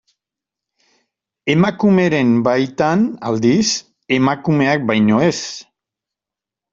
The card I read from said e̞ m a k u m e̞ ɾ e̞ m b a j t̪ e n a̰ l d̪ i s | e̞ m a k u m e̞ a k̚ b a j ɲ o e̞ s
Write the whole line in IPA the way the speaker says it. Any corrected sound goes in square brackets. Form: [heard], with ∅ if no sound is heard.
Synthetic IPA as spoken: e̞ m a k u m e̞ ɾ e̞ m b a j t̪ [a] n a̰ l d̪ i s | e̞ m a k u m e̞ a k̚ b a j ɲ o e̞ s